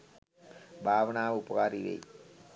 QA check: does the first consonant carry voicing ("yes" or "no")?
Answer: yes